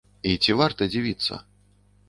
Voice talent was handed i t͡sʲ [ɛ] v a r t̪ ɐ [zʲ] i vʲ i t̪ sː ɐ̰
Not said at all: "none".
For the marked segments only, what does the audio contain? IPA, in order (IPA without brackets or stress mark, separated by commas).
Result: i, d͡zʲ